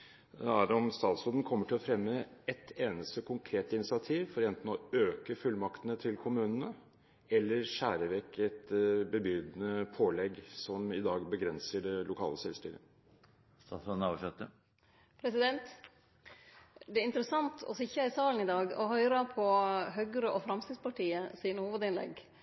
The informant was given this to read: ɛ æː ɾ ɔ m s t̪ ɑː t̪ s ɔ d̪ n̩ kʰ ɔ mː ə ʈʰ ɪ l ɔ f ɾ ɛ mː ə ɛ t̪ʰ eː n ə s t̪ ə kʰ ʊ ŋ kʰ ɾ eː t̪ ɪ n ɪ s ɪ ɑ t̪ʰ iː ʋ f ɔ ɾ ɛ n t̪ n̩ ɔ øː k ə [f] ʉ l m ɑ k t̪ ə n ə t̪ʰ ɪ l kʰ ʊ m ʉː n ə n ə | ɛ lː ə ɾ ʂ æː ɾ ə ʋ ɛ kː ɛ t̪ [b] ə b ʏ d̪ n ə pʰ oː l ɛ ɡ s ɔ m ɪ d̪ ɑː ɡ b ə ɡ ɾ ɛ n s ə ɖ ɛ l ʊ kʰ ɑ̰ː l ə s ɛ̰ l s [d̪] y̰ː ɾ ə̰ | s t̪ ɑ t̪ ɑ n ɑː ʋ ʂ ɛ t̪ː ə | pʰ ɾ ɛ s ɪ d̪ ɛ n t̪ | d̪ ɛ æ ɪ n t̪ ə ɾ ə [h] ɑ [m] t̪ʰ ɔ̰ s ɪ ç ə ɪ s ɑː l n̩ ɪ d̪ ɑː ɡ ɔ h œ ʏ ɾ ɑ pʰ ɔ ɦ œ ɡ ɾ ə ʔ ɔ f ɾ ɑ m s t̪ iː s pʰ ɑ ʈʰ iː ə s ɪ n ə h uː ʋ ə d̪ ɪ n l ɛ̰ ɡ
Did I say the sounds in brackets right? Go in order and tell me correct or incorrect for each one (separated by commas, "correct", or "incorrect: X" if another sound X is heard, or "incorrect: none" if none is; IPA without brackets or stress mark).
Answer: correct, correct, incorrect: t̪, incorrect: s, incorrect: n